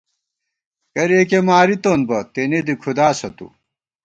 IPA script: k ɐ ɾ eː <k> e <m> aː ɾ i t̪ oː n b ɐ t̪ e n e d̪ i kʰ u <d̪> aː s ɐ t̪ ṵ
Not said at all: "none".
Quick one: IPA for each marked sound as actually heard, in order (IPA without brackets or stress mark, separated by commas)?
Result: k, m, d̪